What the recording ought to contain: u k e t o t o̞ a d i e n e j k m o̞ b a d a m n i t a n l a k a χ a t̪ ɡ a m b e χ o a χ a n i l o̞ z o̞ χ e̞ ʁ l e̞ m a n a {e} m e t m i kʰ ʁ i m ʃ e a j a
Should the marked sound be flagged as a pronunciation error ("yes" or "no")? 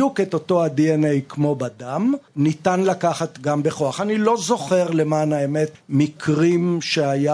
no